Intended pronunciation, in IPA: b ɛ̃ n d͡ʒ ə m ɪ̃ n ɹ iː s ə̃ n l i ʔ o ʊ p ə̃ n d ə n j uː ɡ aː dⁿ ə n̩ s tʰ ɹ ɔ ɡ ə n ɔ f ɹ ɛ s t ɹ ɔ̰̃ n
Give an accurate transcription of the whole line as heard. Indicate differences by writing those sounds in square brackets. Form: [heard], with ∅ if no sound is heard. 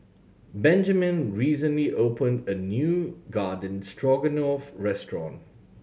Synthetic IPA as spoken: b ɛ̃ n d͡ʒ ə m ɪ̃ n ɹ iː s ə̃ n l i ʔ o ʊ p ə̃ n d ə n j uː ɡ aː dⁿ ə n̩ s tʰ ɹ ɔ ɡ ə n ɔ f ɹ ɛ s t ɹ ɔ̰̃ n